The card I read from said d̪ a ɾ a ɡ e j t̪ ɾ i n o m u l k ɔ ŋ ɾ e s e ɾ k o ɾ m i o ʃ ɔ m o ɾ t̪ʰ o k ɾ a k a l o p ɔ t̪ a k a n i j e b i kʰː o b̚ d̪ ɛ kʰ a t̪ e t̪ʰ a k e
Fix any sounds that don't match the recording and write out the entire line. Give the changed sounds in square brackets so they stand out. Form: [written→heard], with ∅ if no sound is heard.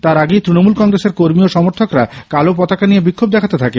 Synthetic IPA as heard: [d̪→t̪] a ɾ a ɡ e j t̪ ɾ i n o m u l k ɔ ŋ ɾ e s e ɾ k o ɾ m i o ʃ ɔ m o ɾ t̪ʰ o k ɾ a k a l o p ɔ t̪ a k a n i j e b i kʰː o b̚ d̪ ɛ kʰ a t̪ e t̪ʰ a k e